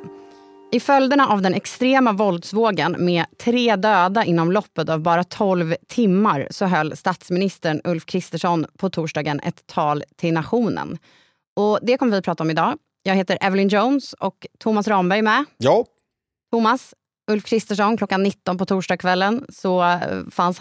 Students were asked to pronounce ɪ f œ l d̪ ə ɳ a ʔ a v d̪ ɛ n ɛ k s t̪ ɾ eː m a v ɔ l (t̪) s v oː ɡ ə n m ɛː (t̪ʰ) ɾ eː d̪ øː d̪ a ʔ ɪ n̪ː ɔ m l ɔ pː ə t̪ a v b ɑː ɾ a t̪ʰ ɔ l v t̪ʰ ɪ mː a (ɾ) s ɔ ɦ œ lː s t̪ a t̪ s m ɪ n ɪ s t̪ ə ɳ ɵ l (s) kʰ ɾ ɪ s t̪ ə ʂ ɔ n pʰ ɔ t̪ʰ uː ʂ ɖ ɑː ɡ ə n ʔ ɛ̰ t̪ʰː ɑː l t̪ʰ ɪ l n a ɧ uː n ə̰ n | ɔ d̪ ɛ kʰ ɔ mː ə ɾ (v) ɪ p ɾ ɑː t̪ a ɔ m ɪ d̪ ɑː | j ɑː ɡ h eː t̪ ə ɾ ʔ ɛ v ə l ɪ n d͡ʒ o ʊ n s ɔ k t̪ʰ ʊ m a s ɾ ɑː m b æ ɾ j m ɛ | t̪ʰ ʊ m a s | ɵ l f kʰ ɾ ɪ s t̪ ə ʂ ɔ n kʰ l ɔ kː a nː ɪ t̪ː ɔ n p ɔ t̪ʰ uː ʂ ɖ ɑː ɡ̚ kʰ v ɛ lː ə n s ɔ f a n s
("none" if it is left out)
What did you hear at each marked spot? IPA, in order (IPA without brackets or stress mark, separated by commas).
d̪, t̪ʰ, ɾ, f, v